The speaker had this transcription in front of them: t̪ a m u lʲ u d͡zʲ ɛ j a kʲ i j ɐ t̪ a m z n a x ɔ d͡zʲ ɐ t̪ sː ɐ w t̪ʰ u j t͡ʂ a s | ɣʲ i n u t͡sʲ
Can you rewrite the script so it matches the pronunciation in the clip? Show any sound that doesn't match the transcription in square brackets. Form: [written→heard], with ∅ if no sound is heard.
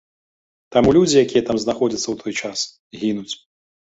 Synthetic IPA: t̪ a m u lʲ u d͡zʲ [ɛ→i] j a kʲ i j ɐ t̪ a m z n a x ɔ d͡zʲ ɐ t̪ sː ɐ w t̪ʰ [u→ɔ] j t͡ʂ a s | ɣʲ i n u t͡sʲ